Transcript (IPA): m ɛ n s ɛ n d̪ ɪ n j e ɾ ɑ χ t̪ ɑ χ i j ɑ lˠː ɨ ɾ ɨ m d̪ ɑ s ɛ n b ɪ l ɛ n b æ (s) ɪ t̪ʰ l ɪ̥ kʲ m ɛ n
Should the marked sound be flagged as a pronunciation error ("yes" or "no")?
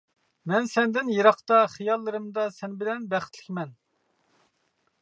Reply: yes